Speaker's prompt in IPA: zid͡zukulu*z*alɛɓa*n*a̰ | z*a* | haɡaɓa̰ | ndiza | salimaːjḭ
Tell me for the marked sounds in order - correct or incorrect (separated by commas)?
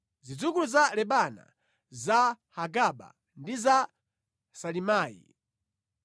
correct, correct, correct